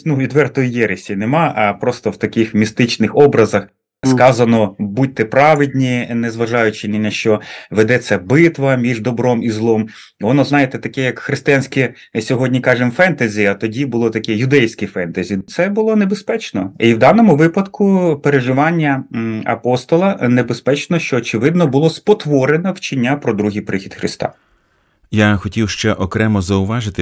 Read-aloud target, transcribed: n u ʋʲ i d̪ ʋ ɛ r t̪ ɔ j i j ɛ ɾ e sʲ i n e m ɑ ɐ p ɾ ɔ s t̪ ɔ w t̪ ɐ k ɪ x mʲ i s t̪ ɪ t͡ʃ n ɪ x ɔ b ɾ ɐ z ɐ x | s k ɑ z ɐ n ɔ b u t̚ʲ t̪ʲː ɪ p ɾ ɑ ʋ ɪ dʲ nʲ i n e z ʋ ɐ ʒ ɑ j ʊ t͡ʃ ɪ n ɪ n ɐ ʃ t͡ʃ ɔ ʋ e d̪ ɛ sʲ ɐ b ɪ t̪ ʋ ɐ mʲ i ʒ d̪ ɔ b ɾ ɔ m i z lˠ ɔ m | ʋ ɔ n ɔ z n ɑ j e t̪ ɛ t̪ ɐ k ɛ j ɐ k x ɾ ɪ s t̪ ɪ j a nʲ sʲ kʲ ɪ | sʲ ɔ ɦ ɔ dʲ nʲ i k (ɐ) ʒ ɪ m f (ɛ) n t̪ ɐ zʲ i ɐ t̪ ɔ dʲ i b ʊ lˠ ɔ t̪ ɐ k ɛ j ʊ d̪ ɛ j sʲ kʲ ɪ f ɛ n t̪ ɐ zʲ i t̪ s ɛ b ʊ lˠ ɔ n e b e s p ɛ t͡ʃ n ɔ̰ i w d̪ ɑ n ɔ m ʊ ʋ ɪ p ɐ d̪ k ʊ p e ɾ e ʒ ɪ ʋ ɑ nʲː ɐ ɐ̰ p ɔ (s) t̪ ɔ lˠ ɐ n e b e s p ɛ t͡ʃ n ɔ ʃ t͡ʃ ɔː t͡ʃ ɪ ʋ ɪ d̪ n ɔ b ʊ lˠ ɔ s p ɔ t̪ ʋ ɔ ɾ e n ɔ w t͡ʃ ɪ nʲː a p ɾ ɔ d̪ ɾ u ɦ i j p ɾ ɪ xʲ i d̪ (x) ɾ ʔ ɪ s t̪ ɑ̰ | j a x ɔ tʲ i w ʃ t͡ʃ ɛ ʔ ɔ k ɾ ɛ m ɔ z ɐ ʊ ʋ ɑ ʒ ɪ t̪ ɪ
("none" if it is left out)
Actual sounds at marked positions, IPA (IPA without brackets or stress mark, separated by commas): ɑ, ɛ, s, x